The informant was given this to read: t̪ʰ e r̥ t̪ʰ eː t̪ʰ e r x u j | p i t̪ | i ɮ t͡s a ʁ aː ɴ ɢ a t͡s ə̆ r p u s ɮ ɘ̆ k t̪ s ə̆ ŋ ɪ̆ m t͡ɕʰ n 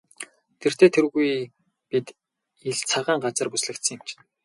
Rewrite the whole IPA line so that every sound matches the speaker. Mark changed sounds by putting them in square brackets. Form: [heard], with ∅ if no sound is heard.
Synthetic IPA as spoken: t̪ʰ e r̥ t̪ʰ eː t̪ʰ e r [ɣ] u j | p i t̪ | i ɮ [t͡sʰ] a ʁ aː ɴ ɢ a t͡s ə̆ r p u s ɮ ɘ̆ k t̪ s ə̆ ŋ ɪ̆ m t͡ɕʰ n